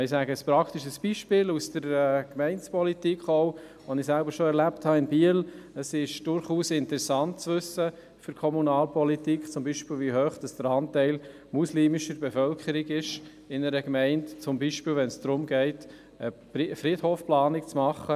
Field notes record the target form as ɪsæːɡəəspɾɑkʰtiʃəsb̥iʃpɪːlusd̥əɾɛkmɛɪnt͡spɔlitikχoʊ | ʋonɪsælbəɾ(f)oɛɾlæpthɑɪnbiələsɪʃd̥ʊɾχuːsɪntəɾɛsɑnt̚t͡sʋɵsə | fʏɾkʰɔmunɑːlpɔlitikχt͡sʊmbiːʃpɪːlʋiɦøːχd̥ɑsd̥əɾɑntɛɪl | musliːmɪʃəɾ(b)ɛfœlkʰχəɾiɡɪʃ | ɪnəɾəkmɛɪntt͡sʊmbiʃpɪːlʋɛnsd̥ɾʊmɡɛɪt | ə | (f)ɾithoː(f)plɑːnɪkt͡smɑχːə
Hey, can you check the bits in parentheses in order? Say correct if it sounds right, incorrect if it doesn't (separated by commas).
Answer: incorrect, correct, correct, correct